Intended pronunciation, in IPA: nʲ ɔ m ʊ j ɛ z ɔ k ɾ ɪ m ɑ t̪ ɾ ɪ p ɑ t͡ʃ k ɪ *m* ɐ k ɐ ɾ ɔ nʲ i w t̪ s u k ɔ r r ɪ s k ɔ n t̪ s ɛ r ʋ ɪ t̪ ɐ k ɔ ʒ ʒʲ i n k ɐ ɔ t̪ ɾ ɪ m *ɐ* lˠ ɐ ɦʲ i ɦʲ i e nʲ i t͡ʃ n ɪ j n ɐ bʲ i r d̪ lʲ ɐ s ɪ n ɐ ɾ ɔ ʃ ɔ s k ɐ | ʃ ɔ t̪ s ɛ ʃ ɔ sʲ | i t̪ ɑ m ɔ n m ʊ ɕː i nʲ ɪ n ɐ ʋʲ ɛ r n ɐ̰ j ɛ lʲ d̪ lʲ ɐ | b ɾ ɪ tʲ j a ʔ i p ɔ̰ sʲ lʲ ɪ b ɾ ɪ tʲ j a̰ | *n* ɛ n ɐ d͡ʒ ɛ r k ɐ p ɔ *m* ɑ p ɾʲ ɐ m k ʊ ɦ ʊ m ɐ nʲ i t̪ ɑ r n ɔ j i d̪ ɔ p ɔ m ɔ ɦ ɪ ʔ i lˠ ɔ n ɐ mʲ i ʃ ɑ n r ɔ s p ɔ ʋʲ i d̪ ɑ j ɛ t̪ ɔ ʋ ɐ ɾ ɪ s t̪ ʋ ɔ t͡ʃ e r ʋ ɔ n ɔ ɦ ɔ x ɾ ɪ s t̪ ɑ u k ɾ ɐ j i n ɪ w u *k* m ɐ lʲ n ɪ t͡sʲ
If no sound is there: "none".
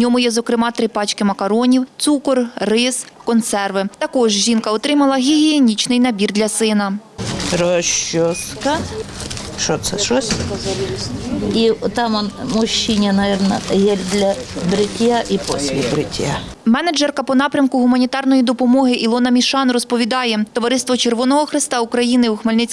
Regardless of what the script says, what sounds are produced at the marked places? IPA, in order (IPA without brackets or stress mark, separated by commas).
m, ɐ, m, n, x